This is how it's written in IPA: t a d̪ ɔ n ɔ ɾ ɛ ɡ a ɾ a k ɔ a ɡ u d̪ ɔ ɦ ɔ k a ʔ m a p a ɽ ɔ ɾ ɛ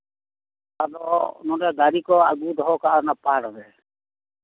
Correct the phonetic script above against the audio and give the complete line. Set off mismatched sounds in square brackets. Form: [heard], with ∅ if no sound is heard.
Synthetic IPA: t a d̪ ɔ n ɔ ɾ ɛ ɡ a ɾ [i] k ɔ a ɡ u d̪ ɔ ɦ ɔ k a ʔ [n] a p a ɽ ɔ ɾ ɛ